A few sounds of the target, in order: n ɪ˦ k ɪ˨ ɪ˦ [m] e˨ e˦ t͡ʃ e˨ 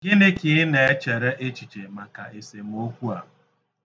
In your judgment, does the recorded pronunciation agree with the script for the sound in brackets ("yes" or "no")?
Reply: no